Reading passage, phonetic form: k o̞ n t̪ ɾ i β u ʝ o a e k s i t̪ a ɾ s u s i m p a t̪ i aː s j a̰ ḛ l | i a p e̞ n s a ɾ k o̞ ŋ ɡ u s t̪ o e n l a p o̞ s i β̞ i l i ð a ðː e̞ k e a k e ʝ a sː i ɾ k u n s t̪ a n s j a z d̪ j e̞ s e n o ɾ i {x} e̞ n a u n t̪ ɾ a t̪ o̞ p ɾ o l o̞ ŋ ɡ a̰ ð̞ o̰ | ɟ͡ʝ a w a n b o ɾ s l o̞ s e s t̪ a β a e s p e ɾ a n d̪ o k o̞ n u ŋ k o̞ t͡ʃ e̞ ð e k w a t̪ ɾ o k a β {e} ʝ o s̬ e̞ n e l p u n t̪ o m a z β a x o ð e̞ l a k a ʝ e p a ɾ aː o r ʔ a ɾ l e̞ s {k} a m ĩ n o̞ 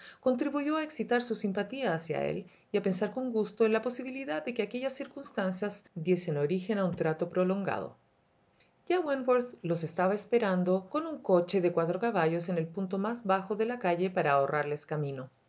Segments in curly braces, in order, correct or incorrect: correct, incorrect: a, correct

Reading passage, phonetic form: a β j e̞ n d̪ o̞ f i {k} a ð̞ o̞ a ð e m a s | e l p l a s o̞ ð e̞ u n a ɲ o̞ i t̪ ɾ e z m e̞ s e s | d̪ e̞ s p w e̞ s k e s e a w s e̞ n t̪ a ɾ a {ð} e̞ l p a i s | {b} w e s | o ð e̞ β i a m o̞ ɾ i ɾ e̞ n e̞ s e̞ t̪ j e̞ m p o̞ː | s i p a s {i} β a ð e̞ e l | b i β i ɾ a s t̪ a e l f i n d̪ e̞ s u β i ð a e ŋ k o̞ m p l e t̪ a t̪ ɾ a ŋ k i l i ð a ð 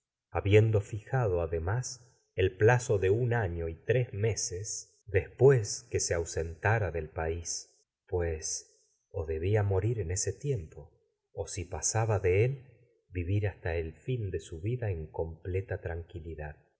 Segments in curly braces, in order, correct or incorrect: incorrect: x, correct, incorrect: p, incorrect: a

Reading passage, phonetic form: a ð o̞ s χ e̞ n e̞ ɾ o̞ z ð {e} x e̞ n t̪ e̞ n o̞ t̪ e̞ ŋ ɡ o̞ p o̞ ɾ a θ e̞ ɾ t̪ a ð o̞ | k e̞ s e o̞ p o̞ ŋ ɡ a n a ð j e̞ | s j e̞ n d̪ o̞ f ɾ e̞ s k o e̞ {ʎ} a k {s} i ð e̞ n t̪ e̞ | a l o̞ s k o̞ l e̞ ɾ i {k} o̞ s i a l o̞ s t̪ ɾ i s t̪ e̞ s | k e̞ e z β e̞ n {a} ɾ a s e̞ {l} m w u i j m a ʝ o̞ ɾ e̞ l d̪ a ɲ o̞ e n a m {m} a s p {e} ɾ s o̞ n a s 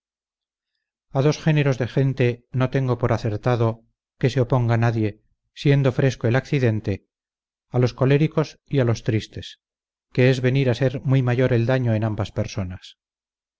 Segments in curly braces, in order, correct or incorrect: correct, incorrect: l, incorrect: θ, correct, incorrect: i, incorrect: ɾ, incorrect: b, correct

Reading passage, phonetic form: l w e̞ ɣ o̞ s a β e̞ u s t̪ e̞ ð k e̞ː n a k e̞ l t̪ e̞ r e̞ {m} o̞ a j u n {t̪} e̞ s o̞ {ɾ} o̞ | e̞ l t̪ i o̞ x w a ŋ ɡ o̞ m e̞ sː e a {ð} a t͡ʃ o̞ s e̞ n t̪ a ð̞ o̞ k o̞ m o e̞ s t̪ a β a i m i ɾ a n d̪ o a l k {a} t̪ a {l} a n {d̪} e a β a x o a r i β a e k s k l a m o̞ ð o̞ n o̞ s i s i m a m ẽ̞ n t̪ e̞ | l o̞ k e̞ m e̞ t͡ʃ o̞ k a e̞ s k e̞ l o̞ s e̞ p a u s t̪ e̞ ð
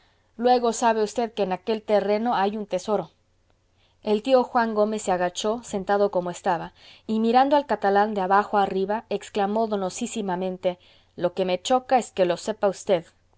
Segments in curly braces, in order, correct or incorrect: incorrect: n, correct, correct, incorrect: ɣ, correct, correct, correct

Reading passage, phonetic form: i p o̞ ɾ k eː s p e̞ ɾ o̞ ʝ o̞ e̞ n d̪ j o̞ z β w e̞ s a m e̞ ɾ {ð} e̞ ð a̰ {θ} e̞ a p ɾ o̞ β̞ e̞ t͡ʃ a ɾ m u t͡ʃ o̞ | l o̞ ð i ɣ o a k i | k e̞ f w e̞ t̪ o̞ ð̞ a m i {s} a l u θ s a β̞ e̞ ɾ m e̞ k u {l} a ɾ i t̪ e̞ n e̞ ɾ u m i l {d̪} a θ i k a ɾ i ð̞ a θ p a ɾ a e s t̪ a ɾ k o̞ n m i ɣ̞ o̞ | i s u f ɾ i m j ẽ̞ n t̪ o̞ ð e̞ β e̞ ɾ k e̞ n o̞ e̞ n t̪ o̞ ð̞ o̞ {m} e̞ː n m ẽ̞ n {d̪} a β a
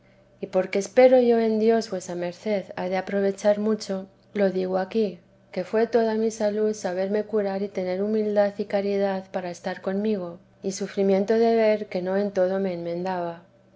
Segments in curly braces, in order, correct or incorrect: incorrect: θ, incorrect: ð, correct, incorrect: ɾ, correct, correct, correct

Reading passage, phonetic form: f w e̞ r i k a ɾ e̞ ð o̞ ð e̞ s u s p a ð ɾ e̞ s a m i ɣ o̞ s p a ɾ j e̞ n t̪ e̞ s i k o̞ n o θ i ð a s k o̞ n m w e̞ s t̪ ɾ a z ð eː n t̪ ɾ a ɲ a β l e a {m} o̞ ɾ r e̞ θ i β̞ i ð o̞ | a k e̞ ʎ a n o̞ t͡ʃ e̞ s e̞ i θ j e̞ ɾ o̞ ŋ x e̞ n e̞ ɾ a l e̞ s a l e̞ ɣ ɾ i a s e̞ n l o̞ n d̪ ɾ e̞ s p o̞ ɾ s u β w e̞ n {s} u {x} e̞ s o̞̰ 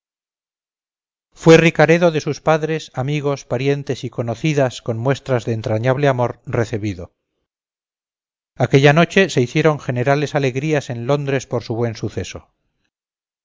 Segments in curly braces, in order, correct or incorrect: correct, correct, incorrect: θ

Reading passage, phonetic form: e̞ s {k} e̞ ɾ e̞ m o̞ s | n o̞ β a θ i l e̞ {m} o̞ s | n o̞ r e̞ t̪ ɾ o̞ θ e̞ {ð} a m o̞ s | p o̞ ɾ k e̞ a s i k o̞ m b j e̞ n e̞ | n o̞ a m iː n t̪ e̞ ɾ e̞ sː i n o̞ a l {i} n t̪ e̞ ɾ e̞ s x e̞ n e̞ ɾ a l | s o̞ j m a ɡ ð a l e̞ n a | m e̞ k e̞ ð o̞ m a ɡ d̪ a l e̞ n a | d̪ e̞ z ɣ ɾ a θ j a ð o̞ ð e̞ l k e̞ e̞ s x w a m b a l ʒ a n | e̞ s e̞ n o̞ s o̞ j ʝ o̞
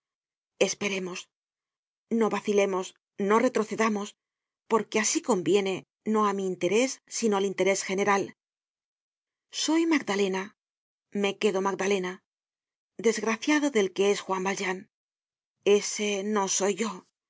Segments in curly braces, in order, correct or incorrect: incorrect: p, correct, correct, correct

